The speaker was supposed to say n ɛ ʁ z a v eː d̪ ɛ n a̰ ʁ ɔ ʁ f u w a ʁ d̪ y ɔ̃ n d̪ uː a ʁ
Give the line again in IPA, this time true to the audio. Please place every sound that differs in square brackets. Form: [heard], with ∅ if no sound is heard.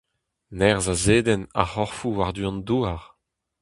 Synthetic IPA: n ɛ ʁ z a [z] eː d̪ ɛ n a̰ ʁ ɔ ʁ f u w a ʁ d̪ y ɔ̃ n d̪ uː a ʁ